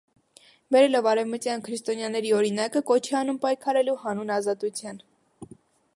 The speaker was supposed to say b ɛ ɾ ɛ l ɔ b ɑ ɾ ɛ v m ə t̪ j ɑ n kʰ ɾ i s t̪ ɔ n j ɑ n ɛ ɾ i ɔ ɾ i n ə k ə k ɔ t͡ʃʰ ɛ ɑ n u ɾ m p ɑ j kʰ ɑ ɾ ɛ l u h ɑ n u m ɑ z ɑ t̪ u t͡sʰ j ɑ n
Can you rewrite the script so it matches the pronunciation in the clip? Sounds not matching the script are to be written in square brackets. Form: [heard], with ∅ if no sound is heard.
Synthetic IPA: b ɛ ɾ ɛ l ɔ [v] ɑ ɾ ɛ v m ə t̪ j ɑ n kʰ ɾ i s t̪ ɔ n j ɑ n ɛ ɾ i ɔ ɾ i n [ɑ] k ə k ɔ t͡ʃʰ ɛ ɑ n u [∅] m p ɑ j kʰ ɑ ɾ ɛ l u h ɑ n u [n] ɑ z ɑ t̪ u t͡sʰ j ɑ n